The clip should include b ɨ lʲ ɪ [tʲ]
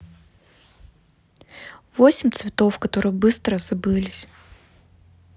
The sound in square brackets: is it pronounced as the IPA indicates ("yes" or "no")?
no